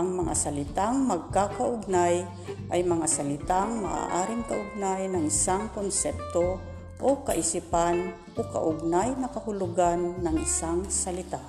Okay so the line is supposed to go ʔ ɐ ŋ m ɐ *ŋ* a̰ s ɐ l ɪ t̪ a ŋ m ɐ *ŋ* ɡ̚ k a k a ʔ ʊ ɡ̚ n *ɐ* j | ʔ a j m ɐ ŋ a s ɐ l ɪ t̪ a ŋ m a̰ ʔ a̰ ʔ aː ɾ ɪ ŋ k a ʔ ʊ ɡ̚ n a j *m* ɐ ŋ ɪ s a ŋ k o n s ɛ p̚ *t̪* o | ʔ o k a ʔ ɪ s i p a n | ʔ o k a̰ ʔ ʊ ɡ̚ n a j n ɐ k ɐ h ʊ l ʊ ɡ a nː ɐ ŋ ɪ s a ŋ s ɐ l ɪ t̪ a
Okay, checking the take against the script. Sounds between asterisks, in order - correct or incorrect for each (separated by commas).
correct, incorrect, incorrect, incorrect, correct